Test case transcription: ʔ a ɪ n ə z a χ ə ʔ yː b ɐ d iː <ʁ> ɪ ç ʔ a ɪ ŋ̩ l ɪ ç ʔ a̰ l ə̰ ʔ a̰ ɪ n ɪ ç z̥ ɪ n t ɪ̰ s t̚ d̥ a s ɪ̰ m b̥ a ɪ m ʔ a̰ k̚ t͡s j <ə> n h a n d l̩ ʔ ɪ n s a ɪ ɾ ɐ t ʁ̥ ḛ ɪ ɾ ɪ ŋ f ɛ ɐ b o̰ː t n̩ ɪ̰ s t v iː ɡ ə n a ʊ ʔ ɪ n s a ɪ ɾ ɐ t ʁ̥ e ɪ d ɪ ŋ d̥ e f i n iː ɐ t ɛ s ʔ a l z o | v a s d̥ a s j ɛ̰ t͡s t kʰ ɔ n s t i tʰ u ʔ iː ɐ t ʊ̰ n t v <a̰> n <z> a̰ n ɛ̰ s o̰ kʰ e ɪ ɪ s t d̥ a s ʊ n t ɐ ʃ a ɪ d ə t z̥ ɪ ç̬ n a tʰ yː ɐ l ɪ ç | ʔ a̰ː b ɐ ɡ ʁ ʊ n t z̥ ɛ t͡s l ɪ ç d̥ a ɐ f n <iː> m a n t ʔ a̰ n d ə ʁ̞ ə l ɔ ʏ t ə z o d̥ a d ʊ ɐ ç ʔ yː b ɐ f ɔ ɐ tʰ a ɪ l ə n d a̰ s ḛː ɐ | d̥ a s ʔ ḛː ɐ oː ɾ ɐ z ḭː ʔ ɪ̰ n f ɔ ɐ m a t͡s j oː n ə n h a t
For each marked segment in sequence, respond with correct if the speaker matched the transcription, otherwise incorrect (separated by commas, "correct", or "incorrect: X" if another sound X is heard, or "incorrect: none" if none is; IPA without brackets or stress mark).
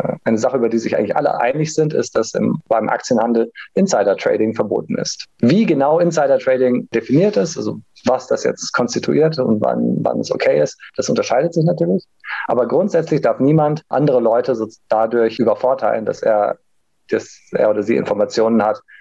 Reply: incorrect: z, correct, correct, incorrect: v, correct